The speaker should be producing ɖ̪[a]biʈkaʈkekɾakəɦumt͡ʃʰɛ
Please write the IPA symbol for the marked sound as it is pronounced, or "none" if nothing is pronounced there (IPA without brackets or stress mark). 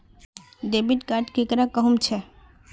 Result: e